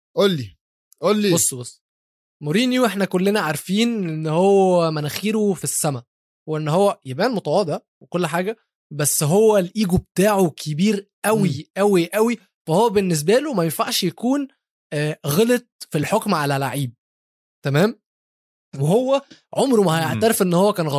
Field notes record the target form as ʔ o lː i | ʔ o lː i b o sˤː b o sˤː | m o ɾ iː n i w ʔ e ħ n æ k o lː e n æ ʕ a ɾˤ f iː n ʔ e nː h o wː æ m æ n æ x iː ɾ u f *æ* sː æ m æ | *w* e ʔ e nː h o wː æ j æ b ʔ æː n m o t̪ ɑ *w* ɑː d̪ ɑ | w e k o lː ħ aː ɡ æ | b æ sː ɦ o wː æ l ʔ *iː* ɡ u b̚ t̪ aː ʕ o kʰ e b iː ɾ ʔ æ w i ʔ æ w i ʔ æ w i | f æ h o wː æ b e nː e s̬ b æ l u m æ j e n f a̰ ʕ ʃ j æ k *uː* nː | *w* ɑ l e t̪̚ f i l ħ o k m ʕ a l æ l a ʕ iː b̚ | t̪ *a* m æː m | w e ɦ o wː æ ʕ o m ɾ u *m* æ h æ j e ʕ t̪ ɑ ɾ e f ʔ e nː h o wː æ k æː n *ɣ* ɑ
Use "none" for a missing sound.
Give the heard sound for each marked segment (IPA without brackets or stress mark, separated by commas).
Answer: i, w, w, iː, uː, ɣ, æ, m, ɣ